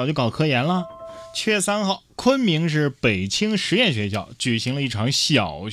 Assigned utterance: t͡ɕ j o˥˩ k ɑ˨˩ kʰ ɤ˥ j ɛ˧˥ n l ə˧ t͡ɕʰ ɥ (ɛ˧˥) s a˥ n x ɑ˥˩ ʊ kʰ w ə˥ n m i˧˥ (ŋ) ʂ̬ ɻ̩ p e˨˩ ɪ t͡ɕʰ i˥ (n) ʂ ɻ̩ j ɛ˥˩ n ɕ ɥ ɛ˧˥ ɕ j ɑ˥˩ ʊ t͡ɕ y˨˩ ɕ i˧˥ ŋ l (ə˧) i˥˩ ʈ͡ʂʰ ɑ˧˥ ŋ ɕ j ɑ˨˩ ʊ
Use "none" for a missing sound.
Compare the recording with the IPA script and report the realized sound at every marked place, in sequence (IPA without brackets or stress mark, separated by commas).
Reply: ɛ˥˩, ŋ, ŋ, ə˧